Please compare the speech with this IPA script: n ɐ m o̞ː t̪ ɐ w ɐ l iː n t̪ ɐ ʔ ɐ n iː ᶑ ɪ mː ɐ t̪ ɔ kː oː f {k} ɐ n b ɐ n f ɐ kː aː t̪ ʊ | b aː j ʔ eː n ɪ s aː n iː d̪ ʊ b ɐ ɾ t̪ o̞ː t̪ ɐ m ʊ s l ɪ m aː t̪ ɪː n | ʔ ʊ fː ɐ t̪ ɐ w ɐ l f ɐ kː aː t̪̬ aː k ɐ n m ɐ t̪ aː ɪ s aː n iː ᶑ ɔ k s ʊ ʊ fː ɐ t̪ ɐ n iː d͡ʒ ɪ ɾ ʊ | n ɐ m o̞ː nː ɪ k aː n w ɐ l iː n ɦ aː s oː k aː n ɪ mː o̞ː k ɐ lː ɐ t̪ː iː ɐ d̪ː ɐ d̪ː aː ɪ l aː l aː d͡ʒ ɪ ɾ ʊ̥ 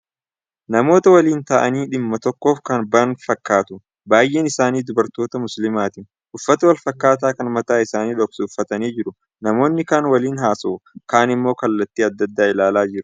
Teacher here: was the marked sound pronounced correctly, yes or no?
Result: yes